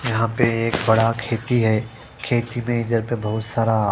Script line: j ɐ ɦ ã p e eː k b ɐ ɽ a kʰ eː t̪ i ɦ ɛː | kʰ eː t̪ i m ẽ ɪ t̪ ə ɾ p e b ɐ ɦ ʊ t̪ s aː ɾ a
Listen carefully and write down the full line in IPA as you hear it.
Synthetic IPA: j ɐ ɦ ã p e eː k b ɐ ɽ a kʰ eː t̪ i ɦ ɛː | kʰ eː t̪ i m ẽ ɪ d̪ ə ɾ p e b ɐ ɦ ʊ t̪ s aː ɾ a